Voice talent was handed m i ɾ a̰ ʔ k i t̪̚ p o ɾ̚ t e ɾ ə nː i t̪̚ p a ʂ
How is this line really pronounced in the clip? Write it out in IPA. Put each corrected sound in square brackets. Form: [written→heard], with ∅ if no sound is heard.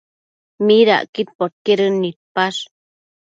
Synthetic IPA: m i ɾ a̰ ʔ k i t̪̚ p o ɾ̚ [t→k] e ɾ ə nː i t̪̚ p a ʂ